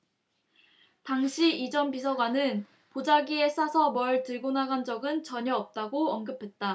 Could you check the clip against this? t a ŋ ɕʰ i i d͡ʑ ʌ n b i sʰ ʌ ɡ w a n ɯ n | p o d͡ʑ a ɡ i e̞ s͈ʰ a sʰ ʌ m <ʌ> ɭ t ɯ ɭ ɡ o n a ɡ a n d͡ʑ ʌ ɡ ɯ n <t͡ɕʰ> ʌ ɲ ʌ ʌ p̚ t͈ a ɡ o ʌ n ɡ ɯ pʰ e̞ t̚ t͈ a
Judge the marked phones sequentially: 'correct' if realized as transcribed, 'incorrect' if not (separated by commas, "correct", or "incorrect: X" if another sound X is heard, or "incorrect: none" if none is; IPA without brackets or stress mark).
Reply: correct, incorrect: t͡ɕ